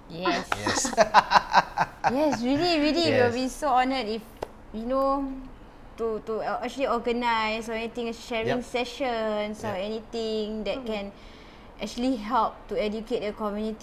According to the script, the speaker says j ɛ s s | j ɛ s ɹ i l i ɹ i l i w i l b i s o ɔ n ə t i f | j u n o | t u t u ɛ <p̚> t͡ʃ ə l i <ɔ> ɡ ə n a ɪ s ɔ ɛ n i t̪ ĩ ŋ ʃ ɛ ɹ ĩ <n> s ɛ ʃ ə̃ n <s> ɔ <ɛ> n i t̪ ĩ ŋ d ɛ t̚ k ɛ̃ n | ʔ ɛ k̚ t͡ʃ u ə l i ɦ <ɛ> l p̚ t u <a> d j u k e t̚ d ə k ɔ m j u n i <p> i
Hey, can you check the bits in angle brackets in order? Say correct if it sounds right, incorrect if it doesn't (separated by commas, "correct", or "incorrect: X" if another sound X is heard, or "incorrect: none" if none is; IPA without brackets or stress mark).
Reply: incorrect: k̚, correct, incorrect: ŋ, correct, correct, correct, incorrect: ɛ, incorrect: t